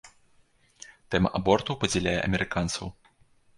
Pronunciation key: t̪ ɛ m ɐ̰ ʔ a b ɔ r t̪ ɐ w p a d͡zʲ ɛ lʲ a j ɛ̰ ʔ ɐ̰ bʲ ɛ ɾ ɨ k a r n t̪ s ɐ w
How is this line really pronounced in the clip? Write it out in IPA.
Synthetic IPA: t̪ ɛ m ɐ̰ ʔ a b ɔ r t̪ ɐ w p ɐ d͡zʲ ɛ lʲ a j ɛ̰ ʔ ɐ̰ mʲ ɛ ɾ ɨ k a n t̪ s ɐ w